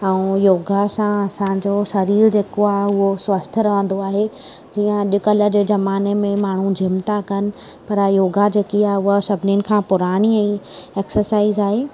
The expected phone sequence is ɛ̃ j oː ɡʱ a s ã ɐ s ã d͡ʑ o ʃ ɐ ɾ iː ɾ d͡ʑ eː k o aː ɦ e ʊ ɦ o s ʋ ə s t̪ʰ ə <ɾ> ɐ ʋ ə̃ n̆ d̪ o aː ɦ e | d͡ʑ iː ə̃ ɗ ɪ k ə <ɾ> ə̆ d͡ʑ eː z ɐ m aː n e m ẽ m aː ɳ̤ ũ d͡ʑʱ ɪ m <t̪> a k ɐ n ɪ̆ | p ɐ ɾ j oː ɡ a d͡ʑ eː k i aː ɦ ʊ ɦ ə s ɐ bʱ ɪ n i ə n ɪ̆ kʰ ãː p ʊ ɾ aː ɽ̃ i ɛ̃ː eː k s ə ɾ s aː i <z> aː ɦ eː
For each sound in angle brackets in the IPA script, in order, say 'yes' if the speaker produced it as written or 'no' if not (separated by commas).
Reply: yes, no, yes, yes